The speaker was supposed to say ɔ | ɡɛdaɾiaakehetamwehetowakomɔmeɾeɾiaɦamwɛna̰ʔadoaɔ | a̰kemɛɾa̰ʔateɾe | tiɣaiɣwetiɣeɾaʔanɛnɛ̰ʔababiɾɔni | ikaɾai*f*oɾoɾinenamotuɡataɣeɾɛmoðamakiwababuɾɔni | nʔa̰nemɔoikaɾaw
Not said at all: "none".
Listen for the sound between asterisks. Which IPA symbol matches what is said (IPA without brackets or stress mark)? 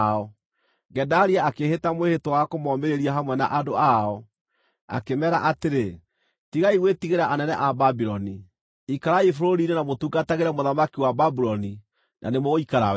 f